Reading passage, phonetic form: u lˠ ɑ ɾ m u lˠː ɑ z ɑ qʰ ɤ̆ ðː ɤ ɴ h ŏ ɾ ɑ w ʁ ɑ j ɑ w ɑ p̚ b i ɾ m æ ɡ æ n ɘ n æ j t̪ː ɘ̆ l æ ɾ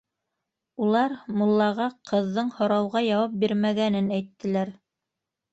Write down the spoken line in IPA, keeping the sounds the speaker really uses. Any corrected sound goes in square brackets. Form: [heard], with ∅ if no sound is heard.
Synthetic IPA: u lˠ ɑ ɾ m u lˠː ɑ [ʁ] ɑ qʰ ɤ̆ ðː ɤ ɴ h ŏ ɾ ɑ w ʁ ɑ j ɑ w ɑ p̚ b i ɾ m æ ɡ æ n ɘ n æ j t̪ː ɘ̆ l æ ɾ